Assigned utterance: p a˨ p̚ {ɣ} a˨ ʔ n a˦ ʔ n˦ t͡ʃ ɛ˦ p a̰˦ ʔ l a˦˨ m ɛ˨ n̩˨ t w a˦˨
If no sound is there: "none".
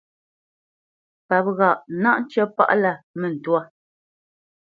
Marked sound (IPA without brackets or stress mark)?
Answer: ɣ